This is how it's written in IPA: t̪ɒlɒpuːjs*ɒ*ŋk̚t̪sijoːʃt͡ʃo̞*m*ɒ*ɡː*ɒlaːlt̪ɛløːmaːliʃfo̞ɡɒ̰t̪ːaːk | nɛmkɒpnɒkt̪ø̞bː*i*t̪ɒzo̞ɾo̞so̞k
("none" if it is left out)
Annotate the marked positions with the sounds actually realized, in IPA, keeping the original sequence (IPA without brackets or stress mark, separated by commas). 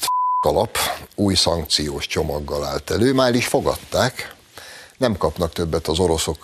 ɒ, m, ɡː, ɛ